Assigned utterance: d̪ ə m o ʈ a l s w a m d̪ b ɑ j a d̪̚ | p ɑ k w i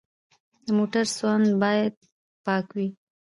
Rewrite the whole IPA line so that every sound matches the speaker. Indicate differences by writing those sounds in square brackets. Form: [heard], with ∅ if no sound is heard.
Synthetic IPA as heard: d̪ ə m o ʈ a [ɾ] s w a [n] d̪ b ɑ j a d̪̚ | p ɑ k w i